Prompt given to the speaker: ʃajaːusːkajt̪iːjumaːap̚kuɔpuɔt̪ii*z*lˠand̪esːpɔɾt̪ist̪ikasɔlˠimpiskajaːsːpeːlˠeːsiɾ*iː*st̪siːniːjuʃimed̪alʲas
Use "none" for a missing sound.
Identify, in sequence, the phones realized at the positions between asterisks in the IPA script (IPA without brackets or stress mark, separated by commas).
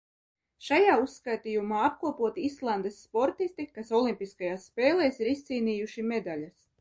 s, i